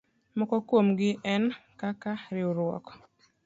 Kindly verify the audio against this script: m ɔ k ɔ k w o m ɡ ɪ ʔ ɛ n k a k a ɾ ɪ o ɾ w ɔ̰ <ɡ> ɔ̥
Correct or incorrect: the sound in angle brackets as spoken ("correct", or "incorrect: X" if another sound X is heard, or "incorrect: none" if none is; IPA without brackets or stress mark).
incorrect: k